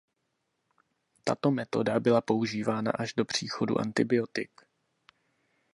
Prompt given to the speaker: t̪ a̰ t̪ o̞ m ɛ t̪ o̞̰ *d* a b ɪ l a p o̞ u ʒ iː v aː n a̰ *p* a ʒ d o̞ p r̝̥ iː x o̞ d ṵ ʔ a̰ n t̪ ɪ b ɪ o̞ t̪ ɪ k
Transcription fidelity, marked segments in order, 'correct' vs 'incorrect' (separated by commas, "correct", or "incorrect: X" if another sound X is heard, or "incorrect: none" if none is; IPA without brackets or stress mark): correct, incorrect: ʔ